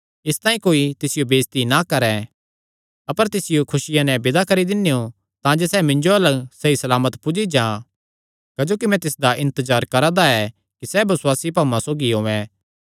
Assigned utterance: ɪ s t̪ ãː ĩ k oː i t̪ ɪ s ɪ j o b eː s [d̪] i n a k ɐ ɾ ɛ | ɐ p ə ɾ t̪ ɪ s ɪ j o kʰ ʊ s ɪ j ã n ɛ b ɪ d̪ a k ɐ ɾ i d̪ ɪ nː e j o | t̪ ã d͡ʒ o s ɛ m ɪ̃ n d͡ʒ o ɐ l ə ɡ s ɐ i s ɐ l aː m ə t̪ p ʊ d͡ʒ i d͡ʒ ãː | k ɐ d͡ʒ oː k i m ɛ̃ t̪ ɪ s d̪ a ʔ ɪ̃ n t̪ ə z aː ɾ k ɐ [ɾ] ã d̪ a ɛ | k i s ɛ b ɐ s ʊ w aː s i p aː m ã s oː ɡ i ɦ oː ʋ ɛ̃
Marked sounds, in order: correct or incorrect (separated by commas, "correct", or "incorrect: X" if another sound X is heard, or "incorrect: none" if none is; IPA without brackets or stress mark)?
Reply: incorrect: t̪, correct